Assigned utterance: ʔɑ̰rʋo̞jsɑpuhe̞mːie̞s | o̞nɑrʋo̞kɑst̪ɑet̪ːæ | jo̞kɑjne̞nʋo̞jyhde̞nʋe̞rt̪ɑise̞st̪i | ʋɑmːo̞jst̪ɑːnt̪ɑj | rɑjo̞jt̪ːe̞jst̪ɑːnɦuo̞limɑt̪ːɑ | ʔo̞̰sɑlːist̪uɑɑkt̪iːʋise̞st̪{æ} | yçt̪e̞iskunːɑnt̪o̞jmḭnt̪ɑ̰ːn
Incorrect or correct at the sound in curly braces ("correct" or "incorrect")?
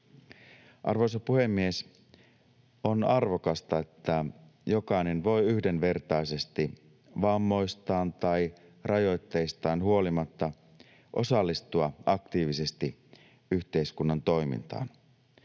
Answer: incorrect